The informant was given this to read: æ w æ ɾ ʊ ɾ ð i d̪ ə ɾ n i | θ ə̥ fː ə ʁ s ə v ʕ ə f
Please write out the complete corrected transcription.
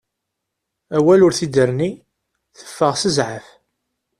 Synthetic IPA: æ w æ l ʊ ɾ θ i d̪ ə ɾ n i | θ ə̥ fː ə ʁ s ə z ʕ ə f